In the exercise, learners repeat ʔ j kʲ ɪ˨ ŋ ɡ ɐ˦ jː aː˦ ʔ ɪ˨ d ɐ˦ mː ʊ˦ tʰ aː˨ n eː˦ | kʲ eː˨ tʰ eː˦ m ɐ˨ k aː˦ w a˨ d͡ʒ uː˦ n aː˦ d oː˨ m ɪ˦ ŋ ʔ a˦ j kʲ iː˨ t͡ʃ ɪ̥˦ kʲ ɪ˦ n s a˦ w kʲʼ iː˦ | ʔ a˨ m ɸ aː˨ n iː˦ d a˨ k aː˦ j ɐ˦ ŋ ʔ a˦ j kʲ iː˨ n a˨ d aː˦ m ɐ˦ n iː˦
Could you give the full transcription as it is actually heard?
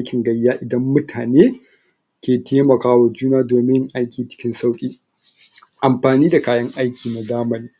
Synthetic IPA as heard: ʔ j kʲ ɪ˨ ŋ ɡ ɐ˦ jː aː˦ ʔ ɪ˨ d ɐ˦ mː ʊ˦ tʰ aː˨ n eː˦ | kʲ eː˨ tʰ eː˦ m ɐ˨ k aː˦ w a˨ d͡ʒ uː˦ n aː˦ d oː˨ m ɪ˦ ŋ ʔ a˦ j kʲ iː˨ t͡ʃ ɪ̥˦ kʲ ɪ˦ n s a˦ w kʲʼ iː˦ | ʔ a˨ m ɸ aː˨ n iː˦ d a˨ k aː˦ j ɐ˦ ŋ ʔ a˦ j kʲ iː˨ n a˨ d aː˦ m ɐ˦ n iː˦